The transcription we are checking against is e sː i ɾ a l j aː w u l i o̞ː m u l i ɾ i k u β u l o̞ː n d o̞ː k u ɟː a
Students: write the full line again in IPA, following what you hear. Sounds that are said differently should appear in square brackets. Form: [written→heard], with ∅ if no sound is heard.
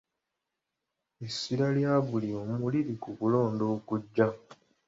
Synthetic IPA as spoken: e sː i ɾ a l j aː [w→β] u l i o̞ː m u l i ɾ i k u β u l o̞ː n d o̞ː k u ɟː a